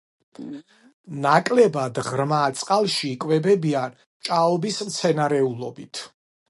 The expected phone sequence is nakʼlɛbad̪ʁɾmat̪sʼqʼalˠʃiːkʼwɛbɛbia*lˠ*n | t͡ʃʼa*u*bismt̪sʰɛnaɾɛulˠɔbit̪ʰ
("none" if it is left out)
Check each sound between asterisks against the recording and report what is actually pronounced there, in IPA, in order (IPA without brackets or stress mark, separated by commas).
none, ɔ